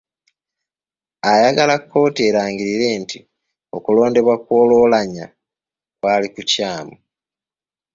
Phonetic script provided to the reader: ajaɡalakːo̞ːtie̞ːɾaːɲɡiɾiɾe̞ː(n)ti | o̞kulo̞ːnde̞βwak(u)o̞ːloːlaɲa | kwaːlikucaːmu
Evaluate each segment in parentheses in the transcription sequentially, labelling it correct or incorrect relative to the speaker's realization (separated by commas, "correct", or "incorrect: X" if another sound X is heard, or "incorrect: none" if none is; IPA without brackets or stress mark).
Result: correct, incorrect: w